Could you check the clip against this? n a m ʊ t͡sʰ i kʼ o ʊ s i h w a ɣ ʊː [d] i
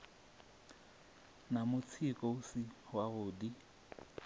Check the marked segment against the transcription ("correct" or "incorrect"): correct